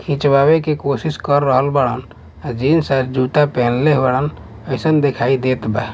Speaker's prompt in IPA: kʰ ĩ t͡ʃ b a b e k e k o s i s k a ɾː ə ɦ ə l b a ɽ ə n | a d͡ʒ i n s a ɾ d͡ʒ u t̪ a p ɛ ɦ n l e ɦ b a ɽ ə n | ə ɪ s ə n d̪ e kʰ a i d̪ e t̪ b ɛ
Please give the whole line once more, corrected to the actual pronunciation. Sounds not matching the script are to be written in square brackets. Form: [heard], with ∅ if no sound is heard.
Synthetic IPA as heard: kʰ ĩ t͡ʃ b a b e k e k o s i s k [ə] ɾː ə ɦ ə l b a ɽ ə n | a d͡ʒ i n s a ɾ d͡ʒ u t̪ a p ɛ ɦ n l e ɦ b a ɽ ə n | ə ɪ s ə n d̪ e kʰ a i d̪ e t̪ b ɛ